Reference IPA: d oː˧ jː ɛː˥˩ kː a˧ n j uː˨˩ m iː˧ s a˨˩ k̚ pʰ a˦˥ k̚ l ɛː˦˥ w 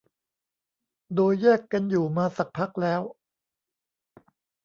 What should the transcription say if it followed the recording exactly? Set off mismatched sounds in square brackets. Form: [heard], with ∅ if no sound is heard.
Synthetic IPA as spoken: d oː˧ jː ɛː˥˩ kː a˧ n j uː˨˩ m [aː˧] s a˨˩ k̚ pʰ a˦˥ k̚ l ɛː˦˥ w